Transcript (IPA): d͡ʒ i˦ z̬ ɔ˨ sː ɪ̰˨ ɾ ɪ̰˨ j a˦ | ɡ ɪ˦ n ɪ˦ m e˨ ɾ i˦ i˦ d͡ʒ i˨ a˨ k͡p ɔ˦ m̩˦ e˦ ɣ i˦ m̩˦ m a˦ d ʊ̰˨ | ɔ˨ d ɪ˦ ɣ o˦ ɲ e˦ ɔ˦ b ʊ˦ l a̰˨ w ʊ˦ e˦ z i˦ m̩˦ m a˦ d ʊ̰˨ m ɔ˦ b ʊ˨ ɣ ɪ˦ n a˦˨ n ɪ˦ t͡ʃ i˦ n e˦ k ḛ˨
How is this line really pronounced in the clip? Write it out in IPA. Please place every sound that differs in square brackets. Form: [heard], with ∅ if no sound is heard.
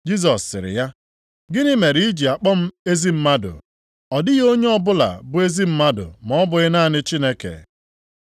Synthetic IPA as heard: d͡ʒ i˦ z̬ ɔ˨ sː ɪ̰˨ ɾ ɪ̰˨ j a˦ | ɡ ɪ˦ n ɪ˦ m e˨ ɾ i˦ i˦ d͡ʒ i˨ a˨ k͡p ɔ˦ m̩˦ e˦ [z] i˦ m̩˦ m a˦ d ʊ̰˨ | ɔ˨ d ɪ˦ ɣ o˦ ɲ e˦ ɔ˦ b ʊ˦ l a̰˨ [b] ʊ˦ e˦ z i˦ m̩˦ m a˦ d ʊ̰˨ m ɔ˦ b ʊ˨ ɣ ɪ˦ n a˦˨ n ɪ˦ t͡ʃ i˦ n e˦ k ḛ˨